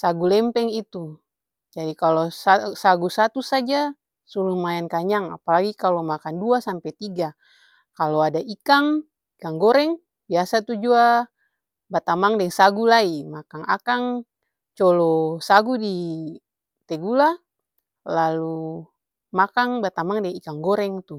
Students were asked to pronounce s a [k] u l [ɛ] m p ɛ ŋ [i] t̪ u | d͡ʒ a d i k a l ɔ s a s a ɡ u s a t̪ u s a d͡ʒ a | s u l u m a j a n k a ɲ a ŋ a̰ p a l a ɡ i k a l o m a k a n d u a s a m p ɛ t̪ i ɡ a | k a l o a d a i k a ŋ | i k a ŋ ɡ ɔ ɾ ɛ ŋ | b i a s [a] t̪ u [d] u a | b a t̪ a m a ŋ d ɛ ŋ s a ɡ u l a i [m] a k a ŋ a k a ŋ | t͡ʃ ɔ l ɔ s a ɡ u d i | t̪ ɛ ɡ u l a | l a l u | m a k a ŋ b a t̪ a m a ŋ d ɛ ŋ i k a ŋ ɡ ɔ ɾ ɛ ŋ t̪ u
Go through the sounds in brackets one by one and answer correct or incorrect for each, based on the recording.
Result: incorrect, correct, correct, correct, incorrect, correct

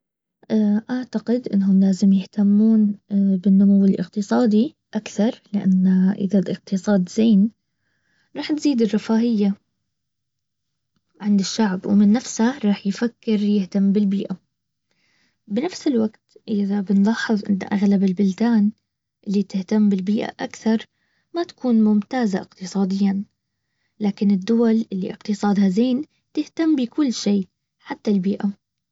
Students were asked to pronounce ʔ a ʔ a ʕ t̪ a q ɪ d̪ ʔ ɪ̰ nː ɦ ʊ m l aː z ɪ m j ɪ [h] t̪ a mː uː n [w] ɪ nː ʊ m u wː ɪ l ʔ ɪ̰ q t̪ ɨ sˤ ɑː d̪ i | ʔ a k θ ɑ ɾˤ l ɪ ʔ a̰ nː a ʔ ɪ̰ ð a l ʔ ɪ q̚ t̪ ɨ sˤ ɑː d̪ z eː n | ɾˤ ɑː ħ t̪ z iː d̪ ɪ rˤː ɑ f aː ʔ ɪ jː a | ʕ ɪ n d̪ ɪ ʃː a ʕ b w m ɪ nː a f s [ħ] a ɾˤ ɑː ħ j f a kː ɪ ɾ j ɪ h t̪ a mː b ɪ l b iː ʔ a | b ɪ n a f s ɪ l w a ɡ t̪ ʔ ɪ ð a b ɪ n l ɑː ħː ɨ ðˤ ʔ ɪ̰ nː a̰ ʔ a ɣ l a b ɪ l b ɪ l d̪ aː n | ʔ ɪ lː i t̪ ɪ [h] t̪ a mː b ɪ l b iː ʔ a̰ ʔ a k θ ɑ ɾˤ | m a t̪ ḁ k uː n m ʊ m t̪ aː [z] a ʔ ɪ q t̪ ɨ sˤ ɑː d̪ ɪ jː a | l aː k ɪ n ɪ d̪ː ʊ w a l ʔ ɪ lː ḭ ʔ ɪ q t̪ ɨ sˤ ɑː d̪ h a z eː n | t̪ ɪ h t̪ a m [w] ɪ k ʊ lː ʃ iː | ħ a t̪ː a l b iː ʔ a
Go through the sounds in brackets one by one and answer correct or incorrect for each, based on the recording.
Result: correct, incorrect, incorrect, correct, correct, incorrect

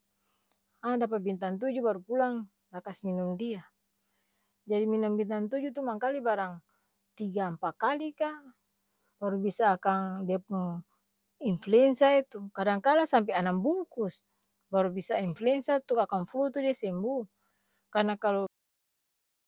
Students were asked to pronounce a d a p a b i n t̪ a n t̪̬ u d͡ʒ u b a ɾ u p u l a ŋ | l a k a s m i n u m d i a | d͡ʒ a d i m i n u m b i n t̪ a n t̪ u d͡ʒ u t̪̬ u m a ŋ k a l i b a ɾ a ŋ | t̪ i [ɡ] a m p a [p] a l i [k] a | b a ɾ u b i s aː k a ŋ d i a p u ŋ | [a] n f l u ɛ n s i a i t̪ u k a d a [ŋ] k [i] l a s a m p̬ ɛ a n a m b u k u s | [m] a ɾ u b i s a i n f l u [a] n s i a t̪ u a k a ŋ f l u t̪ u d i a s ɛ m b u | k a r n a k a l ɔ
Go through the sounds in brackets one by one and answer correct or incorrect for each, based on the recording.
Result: correct, incorrect, correct, incorrect, correct, incorrect, incorrect, incorrect

